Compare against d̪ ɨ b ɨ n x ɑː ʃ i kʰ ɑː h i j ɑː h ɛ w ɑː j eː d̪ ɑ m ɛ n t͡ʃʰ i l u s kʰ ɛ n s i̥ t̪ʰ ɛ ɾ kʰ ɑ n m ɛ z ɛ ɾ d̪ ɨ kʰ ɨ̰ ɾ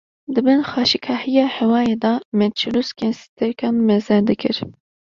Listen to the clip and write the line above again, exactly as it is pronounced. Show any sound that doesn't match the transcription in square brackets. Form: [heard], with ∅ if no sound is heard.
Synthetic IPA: d̪ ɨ b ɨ n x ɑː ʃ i kʰ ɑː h i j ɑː h ɛ w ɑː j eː d̪ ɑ m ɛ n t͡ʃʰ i l u s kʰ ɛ n s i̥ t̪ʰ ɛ ɾ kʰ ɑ n m ɛ z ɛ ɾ d̪ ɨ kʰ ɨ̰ ɾ